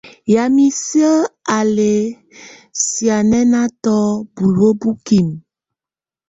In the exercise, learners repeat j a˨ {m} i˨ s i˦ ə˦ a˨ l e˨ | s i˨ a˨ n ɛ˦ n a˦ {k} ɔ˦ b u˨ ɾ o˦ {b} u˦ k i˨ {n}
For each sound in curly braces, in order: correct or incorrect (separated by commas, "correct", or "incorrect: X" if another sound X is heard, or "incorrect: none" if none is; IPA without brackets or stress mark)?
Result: correct, incorrect: t, correct, incorrect: m